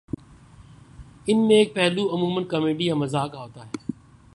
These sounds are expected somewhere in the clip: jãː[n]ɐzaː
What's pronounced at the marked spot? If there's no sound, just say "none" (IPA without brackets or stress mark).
m